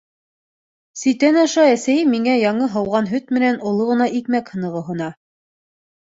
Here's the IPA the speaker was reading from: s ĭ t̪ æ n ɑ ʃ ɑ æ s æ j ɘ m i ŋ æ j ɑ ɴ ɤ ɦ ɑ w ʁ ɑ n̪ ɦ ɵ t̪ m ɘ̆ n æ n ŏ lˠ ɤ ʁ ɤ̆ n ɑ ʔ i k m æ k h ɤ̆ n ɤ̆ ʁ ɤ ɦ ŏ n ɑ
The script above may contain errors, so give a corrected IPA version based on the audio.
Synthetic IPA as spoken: s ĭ t̪ æ n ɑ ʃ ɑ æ s æ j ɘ m i ŋ æ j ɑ ɴ ɤ ɦ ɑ w ʁ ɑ n̪ ɦ ɵ t̪ m ɘ̆ n æ n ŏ lˠ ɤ ʁ ɤ̆ n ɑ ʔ i k m æ k h ɤ̆ n ɤ̆ ʁ ɤ ɦ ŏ n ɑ